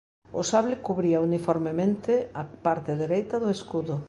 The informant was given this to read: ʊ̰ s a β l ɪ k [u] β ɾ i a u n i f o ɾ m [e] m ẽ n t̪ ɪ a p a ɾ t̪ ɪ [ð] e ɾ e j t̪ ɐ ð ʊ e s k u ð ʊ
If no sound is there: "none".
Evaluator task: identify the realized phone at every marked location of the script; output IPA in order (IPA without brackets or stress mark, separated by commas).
u, e, ð